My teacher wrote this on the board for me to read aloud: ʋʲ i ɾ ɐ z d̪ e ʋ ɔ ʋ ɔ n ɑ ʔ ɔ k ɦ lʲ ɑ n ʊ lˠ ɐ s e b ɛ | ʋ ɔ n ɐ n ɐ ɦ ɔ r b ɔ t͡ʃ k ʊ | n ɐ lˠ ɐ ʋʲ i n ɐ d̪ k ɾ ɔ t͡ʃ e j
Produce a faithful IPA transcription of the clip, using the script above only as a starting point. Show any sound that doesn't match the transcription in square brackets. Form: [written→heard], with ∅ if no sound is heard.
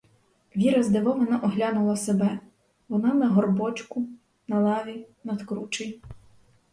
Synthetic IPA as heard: ʋʲ i ɾ ɐ z d̪ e ʋ ɔ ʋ ɔ n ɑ ʔ ɔ [k→∅] ɦ lʲ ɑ n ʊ lˠ ɐ s e b ɛ | ʋ ɔ n [ɐ→ɑ] n ɐ ɦ ɔ r b ɔ t͡ʃ k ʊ | n ɐ lˠ [ɐ→ɑ] ʋʲ i n ɐ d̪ k ɾ [ɔ→u] t͡ʃ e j

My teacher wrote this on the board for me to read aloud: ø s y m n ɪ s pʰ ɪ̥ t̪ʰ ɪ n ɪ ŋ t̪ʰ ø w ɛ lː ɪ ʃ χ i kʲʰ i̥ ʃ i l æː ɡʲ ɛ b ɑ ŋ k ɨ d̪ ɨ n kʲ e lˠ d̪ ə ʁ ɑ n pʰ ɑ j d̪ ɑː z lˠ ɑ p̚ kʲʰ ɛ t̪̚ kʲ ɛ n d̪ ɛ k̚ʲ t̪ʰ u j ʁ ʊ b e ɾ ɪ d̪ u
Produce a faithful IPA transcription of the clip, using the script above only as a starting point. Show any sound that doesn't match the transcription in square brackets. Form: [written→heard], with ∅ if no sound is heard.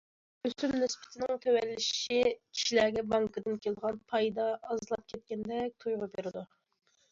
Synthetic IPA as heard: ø s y m n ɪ s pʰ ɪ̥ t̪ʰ ɪ n ɪ ŋ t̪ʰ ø w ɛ lː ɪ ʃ [χ→ʃ] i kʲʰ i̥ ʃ i l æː ɡʲ ɛ b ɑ ŋ k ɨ d̪ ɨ n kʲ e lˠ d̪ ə ʁ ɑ n pʰ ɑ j d̪ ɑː z lˠ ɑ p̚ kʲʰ ɛ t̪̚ kʲ ɛ n d̪ ɛ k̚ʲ t̪ʰ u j ʁ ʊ b e ɾ ɪ d̪ u

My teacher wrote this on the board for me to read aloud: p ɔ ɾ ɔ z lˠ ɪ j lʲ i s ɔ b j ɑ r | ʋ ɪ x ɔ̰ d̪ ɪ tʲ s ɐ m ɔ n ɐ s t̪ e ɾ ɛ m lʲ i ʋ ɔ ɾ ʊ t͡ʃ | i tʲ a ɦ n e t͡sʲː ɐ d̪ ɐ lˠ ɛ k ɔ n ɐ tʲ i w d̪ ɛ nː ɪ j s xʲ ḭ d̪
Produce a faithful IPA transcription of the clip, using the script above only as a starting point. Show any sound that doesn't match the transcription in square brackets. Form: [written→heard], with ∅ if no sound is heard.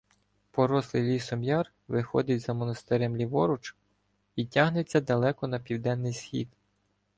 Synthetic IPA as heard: p ɔ ɾ ɔ [z→s] lˠ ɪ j lʲ i s ɔ [b→m] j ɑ r | ʋ ɪ x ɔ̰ d̪ ɪ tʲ [s→z] ɐ m ɔ n ɐ s t̪ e ɾ ɛ m lʲ i ʋ ɔ ɾ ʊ t͡ʃ | i tʲ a ɦ n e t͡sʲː ɐ d̪ ɐ lˠ ɛ k ɔ n ɐ [tʲ→pʲ] i w d̪ ɛ nː ɪ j s xʲ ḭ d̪

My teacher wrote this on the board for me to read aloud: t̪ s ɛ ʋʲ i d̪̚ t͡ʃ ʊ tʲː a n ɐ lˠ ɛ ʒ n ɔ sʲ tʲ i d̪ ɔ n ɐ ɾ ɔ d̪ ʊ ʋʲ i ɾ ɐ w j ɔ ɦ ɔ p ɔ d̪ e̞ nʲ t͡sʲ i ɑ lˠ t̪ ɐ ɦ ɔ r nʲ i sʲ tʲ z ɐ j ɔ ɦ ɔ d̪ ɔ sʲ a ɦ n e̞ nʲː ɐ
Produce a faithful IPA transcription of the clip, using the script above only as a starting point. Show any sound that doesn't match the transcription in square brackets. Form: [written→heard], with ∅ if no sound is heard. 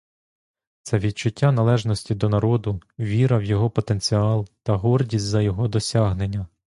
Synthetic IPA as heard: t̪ s ɛ ʋʲ i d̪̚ t͡ʃ ʊ tʲː a n ɐ lˠ ɛ ʒ n ɔ sʲ tʲ i d̪ ɔ n ɐ ɾ ɔ d̪ ʊ ʋʲ i ɾ ɐ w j ɔ ɦ ɔ p ɔ [d̪→t̪] e̞ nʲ t͡sʲ i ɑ lˠ t̪ ɐ ɦ ɔ r [nʲ→dʲ] i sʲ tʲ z ɐ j ɔ ɦ ɔ d̪ ɔ sʲ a ɦ n e̞ nʲː ɐ

